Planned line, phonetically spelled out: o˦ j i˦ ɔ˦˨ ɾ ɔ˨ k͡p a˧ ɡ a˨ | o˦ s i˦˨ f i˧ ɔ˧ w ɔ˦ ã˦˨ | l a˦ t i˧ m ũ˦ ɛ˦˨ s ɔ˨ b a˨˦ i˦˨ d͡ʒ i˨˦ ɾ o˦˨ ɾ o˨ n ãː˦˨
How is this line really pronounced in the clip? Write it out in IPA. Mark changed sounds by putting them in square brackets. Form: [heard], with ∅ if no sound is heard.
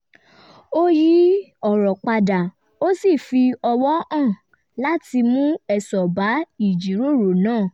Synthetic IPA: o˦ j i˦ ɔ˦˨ ɾ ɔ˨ k͡p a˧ [d] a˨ | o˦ s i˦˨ f i˧ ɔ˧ w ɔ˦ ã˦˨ | l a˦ t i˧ m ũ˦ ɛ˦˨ s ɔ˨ b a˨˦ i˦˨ d͡ʒ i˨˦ ɾ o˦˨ ɾ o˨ n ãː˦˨